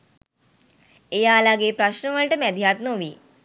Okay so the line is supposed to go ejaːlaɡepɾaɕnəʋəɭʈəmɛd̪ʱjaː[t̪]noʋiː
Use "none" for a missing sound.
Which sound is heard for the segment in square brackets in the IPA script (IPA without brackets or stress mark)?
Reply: t̪